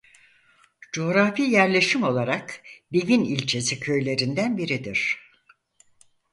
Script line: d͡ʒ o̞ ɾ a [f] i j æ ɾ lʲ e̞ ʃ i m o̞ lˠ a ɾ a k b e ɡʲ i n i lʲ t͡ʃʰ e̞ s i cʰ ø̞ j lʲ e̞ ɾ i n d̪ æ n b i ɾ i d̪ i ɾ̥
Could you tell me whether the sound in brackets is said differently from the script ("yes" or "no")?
no